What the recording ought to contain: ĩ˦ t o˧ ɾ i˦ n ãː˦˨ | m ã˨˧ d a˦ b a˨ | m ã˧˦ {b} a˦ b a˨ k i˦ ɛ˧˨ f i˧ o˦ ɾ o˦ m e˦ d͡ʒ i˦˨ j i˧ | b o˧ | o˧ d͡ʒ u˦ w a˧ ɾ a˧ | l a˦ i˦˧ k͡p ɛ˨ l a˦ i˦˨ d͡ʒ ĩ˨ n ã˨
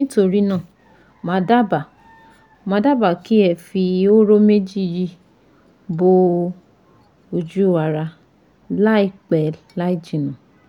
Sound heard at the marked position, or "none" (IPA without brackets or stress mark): d